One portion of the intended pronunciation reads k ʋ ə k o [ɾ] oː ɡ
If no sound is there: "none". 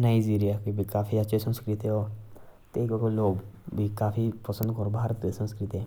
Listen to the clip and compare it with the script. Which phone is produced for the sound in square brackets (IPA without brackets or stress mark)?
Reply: l